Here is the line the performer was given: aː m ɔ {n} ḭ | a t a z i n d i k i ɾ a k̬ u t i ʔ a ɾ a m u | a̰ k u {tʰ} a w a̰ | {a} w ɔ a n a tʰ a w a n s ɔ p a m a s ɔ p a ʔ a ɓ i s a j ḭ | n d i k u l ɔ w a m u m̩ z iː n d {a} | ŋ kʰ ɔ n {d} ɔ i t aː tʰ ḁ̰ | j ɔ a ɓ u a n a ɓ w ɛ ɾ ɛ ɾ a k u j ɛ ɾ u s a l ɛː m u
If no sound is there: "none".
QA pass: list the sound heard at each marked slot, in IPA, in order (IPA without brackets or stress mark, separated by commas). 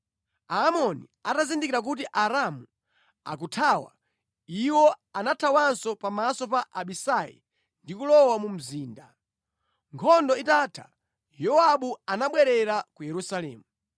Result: n, tʰ, i, a, d